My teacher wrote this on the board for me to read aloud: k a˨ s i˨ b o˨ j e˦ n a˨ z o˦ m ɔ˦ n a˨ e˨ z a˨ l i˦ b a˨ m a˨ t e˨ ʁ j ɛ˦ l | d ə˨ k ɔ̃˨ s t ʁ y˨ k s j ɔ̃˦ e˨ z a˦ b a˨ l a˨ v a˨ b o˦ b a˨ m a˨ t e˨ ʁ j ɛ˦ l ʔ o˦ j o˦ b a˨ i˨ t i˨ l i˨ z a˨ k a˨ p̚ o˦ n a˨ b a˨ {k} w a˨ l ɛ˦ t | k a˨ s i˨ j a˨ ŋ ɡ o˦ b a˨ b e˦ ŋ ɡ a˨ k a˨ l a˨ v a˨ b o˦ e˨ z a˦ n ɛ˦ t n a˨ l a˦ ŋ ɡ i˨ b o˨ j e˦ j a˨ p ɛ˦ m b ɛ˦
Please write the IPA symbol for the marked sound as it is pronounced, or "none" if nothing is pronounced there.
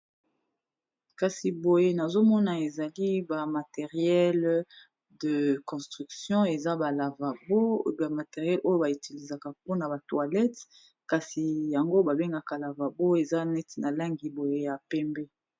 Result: t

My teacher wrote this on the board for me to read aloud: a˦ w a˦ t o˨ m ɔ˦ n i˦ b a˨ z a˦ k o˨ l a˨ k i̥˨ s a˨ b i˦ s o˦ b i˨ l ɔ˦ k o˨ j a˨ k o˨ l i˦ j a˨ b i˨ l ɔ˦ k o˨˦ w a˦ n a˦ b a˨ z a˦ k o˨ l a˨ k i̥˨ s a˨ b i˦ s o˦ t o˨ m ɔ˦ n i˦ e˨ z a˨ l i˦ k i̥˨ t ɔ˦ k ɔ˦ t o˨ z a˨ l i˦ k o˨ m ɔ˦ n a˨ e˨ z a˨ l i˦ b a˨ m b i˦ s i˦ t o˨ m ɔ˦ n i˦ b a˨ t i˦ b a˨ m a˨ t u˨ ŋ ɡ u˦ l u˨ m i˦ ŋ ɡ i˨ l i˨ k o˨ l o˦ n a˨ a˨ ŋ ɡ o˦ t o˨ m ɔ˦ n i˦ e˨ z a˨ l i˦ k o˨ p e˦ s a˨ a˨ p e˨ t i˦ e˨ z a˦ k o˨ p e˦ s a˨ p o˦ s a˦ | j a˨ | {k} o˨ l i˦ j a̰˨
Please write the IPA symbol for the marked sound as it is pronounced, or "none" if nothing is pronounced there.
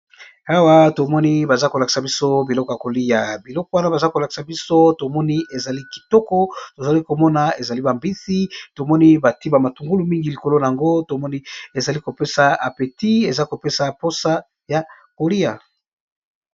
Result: k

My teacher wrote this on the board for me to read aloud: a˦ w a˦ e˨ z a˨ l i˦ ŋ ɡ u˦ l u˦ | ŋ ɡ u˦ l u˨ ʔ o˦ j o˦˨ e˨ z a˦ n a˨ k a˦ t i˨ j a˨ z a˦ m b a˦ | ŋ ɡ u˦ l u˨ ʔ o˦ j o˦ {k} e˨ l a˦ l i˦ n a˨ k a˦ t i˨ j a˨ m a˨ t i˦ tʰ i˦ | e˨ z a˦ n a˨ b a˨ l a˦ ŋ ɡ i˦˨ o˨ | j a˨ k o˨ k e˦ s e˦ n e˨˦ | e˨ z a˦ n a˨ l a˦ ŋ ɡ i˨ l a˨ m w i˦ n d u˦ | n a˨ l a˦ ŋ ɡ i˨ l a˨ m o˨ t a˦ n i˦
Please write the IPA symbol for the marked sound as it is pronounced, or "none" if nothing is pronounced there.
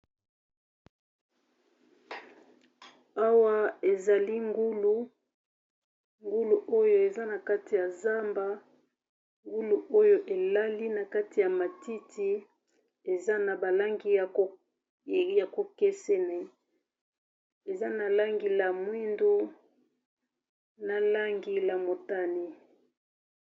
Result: ʔ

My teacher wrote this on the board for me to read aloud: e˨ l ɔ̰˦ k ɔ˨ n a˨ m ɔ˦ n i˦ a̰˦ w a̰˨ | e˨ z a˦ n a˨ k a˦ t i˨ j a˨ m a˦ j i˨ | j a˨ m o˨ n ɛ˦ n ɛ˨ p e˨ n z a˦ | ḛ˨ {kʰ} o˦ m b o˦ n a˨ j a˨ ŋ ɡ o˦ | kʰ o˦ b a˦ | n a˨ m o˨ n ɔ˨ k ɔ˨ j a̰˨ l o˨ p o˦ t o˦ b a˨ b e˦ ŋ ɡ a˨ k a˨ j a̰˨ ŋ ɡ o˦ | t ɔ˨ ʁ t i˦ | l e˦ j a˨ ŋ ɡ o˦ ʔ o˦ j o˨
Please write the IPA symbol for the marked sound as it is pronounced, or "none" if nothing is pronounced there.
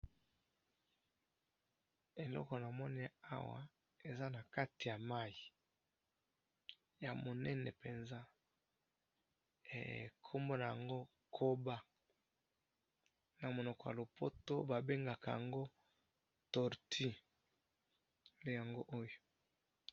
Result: kʰ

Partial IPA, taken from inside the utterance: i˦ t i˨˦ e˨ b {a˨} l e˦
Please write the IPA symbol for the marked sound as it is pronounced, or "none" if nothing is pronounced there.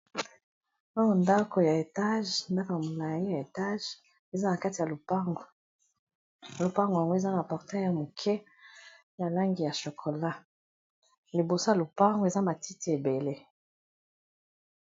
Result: e˨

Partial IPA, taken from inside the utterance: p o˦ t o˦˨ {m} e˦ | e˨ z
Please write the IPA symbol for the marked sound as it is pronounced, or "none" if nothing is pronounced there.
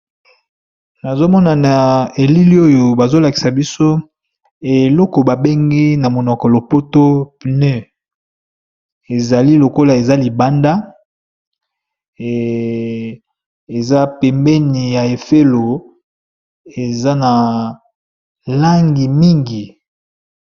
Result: n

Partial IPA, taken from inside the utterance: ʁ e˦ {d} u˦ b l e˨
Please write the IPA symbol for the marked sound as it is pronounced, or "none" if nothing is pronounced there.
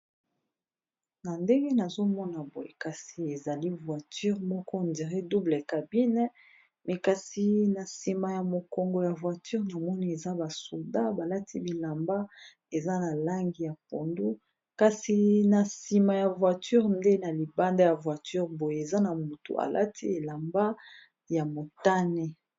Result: d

